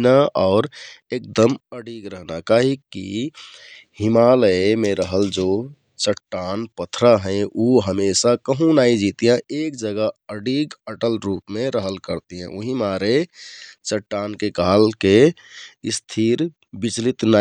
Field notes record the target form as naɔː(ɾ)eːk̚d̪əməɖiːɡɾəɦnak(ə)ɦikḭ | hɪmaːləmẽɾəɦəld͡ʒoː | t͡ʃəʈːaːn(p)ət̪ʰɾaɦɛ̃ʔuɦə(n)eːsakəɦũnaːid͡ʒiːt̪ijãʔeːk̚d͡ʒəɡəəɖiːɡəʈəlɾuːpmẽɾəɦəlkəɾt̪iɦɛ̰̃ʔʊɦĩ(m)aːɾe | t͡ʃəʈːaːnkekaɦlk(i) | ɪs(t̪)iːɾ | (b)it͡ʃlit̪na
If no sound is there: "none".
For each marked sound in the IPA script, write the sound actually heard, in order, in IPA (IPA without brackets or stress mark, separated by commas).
ɾ, a, p, m, m, e, t̪ʰ, b